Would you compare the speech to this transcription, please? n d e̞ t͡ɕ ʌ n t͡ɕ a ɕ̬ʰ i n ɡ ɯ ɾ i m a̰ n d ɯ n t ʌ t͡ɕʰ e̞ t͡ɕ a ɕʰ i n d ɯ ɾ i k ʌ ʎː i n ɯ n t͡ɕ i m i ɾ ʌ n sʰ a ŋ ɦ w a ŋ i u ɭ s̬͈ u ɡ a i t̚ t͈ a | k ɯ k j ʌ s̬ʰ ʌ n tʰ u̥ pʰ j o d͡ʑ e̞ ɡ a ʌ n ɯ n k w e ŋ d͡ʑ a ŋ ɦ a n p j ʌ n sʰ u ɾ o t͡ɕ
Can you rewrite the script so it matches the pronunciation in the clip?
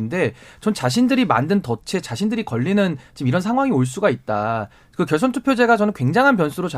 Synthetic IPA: n d e̞ t͡ɕ ʌ n t͡ɕ a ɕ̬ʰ i n d ɯ ɾ i m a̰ n d ɯ n t ʌ t͡ɕʰ e̞ t͡ɕ a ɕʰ i n d ɯ ɾ i k ʌ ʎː i n ɯ n t͡ɕ i m i ɾ ʌ n sʰ a ŋ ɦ w a ŋ i o ɭ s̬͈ u ɡ a i t̚ t͈ a | k ɯ k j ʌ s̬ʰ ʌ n tʰ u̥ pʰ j o d͡ʑ e̞ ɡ a ʌ n ɯ n k w e ŋ d͡ʑ a ŋ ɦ a n p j ʌ n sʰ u ɾ o t͡ɕ